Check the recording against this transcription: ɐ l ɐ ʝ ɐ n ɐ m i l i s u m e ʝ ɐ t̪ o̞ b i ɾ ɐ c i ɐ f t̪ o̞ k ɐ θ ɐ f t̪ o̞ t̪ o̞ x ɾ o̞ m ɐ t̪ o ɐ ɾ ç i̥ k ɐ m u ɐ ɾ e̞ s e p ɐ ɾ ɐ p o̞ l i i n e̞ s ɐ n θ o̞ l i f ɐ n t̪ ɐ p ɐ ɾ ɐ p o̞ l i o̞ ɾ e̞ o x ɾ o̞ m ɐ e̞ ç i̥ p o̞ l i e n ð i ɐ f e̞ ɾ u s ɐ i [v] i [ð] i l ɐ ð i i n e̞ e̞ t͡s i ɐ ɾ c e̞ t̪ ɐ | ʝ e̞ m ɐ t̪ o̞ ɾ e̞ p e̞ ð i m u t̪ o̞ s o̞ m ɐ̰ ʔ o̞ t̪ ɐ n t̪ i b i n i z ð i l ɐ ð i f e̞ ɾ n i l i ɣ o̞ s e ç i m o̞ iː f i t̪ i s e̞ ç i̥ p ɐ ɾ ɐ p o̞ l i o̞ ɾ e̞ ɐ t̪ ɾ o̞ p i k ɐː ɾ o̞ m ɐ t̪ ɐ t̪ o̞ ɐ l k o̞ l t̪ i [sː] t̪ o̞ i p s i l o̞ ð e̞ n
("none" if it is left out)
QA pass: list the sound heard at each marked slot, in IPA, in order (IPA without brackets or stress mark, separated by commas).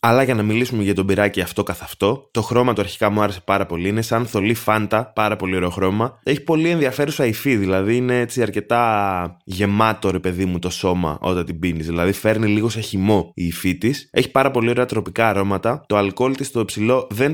f, ð, s